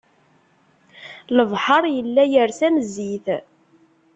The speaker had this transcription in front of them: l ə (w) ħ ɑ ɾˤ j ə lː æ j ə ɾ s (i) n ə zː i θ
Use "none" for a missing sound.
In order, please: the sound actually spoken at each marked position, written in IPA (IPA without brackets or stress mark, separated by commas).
v, æ